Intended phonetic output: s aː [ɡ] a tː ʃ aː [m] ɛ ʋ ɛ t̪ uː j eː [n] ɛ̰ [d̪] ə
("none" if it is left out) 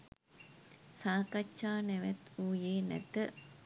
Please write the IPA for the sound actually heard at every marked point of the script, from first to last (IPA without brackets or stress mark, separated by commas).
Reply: k, n, n, t̪